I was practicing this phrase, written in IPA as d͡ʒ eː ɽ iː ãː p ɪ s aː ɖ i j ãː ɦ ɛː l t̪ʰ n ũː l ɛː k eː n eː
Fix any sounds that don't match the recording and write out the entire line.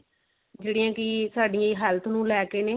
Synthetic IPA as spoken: d͡ʒ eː ɽ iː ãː k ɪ s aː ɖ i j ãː ɦ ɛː l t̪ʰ n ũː l ɛː k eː n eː

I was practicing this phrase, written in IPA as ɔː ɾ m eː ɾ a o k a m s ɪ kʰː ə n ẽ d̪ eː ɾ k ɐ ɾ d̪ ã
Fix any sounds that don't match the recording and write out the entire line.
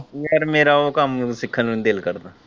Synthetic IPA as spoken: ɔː ɾ m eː ɾ a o k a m s ɪ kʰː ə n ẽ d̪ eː l k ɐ ɾ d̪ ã

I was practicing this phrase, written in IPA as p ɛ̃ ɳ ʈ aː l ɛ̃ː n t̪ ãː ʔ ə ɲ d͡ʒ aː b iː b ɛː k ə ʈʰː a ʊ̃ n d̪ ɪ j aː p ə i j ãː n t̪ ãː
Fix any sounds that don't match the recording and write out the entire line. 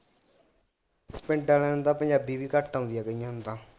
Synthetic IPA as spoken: p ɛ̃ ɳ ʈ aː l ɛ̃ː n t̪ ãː p ə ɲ d͡ʒ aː b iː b iː k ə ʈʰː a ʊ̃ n d̪ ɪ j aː k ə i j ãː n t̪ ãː

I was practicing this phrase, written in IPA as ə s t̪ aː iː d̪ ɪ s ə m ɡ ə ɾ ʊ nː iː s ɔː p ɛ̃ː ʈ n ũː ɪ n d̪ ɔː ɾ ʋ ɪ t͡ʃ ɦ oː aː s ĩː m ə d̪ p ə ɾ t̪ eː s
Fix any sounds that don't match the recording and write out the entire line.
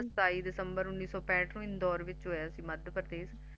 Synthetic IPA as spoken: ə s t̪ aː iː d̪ ɪ s ə m b ə ɾ ʊ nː iː s ɔː p ɛ̃ː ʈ n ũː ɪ n d̪ ɔː ɾ ʋ ɪ t͡ʃ ɦ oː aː s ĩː m ə d̪ p ə ɾ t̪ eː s

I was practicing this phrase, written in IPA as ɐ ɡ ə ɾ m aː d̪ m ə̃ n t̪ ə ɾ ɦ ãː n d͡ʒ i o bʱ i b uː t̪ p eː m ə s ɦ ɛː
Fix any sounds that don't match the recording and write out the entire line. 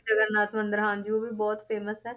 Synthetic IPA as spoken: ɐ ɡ ə ɾ n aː t̪ m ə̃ n d̪ ə ɾ ɦ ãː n d͡ʒ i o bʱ i b ɔː t̪ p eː m ə s ɦ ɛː

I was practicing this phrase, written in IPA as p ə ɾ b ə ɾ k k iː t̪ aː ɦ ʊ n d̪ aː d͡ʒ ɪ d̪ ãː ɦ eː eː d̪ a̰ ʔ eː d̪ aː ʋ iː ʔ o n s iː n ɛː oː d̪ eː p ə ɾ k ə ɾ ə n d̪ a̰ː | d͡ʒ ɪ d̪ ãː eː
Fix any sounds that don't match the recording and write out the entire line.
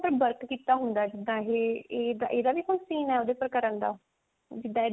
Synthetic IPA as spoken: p ə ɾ b ə ɾ k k iː t̪ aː ɦ ʊ n d̪ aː d͡ʒ ɪ d̪ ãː ɦ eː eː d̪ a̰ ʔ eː d̪ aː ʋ iː k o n s iː n ɛː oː d̪ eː p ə ɾ k ə ɾ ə n d̪ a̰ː | d͡ʒ ɪ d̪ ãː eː

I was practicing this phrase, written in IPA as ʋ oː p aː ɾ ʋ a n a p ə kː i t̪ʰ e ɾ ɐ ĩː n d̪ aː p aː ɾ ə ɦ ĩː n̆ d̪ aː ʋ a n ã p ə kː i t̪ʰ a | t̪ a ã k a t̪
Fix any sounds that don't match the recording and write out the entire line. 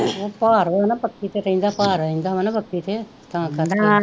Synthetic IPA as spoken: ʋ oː p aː ɾ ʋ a n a p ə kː i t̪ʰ e ɾ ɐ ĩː n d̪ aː p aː ɾ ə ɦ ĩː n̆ d̪ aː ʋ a n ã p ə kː i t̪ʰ e | t̪ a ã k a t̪

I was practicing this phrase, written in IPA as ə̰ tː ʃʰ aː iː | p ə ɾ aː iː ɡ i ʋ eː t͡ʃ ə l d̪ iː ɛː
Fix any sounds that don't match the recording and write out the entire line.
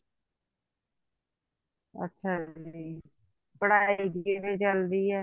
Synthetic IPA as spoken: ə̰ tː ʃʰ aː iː | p ə ɽ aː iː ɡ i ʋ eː t͡ʃ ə l d̪ iː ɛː

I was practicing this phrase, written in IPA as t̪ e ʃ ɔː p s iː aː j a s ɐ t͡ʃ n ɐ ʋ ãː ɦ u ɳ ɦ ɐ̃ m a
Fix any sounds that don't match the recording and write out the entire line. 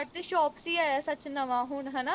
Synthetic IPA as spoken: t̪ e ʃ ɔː p s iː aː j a s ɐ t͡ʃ n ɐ ʋ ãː ɦ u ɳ ɦ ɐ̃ n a

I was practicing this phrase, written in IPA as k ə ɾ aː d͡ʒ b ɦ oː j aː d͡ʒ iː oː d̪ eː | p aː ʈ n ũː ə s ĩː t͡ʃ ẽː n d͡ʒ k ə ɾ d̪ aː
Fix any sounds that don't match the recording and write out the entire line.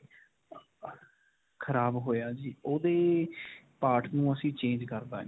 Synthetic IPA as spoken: kʰ ə ɾ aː b ɦ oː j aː d͡ʒ iː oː d̪ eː | p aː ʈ n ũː ə s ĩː t͡ʃ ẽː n d͡ʒ k ə ɾ d̪ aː

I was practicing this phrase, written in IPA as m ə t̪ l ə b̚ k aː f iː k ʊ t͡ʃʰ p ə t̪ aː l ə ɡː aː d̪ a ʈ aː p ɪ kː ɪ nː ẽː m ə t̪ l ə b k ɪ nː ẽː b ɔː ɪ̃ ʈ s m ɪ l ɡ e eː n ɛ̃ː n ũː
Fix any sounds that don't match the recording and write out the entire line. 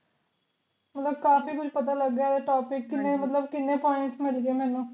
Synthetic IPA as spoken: m ə t̪ l ə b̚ k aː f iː k ʊ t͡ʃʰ p ə t̪ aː l ə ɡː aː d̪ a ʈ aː p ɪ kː ɪ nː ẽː m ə t̪ l ə b k ɪ nː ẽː p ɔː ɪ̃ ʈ s m ɪ l ɡ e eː m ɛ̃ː n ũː

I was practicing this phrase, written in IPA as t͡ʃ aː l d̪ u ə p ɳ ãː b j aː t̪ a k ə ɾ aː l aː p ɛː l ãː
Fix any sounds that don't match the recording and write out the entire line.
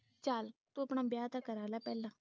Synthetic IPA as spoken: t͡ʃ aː l t̪ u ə p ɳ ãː b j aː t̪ a k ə ɾ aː l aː p ɛː l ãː

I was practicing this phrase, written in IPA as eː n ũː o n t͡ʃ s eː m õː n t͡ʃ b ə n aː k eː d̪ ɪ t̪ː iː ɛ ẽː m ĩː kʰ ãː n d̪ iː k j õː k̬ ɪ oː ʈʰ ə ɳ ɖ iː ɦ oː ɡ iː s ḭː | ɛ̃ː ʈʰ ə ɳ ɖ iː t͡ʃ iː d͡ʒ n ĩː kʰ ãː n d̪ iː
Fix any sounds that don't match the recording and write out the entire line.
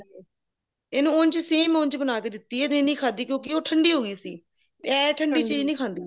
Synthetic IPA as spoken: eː n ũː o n t͡ʃ s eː m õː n t͡ʃ b ə n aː k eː d̪ ɪ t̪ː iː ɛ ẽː n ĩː kʰ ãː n d̪ iː k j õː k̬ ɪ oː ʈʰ ə ɳ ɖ iː ɦ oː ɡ iː s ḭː | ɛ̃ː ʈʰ ə ɳ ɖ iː t͡ʃ iː d͡ʒ n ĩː kʰ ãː n d̪ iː

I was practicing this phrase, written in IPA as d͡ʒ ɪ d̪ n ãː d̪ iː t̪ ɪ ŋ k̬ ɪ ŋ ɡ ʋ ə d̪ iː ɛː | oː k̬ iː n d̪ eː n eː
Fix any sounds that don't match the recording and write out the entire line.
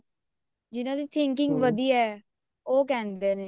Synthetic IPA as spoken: d͡ʒ ɪ n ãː d̪ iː t̪ʰ ɪ ŋ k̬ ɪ ŋ ɡ ʋ ə d̪ iː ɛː | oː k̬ ɛː n d̪ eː n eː

